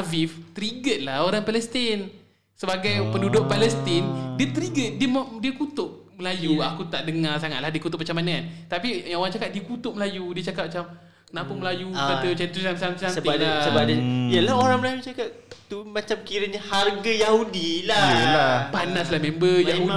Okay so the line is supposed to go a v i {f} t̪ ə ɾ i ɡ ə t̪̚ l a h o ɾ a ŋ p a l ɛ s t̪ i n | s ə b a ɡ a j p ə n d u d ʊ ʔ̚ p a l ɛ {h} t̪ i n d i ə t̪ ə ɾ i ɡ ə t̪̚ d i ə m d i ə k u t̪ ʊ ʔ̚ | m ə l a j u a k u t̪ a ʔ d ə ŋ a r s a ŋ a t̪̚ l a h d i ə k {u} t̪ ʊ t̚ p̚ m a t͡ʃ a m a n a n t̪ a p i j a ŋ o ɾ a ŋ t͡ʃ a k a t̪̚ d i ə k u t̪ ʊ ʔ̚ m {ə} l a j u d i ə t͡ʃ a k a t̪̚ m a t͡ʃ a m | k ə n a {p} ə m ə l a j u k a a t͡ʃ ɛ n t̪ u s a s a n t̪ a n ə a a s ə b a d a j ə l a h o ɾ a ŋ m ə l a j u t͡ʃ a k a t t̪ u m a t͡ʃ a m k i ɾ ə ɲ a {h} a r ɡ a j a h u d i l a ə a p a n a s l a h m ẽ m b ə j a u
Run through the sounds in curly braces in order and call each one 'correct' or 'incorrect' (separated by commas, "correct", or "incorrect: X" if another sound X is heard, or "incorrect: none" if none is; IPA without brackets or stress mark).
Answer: correct, incorrect: s, correct, correct, correct, correct